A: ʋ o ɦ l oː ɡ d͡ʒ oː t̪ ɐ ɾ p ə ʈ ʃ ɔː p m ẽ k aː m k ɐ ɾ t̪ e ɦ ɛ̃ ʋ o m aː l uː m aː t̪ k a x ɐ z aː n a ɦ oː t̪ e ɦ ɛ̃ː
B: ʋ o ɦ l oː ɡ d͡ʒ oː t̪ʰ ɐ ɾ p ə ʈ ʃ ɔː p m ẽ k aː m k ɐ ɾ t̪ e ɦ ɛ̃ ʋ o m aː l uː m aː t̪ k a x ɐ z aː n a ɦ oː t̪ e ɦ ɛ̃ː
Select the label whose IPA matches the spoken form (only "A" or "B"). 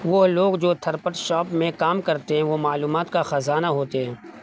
B